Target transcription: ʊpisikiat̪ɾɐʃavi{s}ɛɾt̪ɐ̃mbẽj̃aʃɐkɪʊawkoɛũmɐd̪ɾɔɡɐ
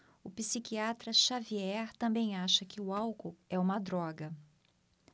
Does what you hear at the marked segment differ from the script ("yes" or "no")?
yes